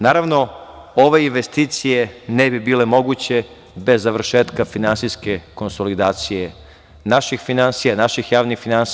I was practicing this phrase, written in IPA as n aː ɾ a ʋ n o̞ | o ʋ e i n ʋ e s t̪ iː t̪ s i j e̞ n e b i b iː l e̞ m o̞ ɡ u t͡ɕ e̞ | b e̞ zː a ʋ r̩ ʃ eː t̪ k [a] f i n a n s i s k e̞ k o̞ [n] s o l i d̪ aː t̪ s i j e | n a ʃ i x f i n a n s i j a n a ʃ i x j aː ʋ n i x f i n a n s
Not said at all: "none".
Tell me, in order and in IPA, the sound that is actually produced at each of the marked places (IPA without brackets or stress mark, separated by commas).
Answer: a, n